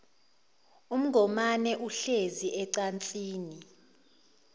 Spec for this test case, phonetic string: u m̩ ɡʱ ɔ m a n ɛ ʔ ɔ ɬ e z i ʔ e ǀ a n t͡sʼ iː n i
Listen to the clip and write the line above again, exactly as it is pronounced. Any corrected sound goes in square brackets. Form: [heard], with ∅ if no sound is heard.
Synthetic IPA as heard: u m̩ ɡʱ ɔ m a n ɛ ʔ [u] ɬ e z i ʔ [ɛ] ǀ a n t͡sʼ iː n i